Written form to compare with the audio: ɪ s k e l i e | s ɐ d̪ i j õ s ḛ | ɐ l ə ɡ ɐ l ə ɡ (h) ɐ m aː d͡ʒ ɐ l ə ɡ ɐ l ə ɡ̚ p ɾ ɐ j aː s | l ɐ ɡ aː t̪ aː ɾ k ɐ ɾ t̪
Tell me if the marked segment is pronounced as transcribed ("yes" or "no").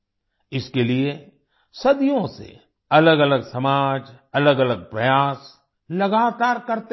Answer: no